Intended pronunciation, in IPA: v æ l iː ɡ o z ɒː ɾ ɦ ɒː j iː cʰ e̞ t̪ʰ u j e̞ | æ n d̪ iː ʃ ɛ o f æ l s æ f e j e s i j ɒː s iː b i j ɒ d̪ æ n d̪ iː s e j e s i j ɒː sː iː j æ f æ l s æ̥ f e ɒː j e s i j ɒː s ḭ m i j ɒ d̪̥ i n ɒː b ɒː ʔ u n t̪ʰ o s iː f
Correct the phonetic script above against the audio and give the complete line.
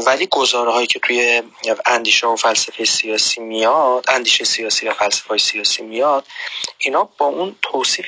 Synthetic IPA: v æ l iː ɡ o z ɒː ɾ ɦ ɒː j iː cʰ e̞ t̪ʰ u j e̞ | æ n d̪ iː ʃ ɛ o f æ l s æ f e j e s i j ɒː s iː m i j ɒ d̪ æ n d̪ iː ʃ e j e s i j ɒː s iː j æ f æ l s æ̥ f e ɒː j e s i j ɒː s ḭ m i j ɒ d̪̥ i n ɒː b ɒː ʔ u n t̪ʰ o s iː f